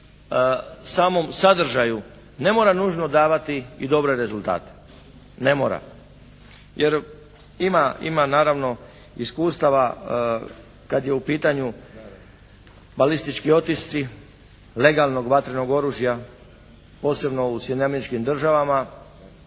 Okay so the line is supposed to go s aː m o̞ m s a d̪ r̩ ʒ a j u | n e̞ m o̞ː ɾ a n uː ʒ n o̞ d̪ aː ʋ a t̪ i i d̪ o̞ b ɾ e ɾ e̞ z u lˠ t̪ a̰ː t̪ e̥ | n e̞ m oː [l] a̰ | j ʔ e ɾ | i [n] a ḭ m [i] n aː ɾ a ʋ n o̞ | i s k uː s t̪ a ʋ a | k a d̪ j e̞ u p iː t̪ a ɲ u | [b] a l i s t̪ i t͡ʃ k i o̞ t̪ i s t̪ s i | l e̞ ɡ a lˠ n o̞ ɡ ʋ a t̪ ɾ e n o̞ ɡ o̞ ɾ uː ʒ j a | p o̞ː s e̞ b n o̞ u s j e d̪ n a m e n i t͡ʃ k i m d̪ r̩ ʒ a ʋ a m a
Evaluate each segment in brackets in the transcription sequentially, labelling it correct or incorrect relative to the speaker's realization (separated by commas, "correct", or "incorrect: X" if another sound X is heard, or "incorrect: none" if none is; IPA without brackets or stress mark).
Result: incorrect: ɾ, incorrect: m, incorrect: a, correct